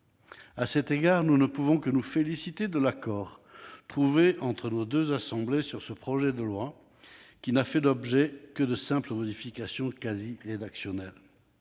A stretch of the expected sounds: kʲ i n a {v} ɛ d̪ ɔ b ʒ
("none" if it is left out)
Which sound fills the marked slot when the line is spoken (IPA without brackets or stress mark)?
f